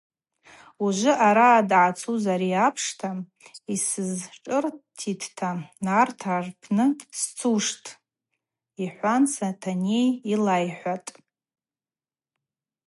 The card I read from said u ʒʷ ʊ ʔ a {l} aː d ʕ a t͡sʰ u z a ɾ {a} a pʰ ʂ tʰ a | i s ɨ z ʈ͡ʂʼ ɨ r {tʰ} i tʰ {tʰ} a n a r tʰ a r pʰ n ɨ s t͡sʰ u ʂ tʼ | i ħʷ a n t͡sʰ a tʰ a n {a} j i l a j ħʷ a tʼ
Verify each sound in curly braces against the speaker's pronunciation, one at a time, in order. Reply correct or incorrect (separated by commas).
incorrect, incorrect, correct, correct, incorrect